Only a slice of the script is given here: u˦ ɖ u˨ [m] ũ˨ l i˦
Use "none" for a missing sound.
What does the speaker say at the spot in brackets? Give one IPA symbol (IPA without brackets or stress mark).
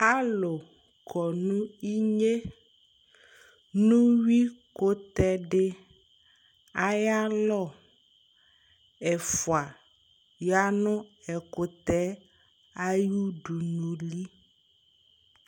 n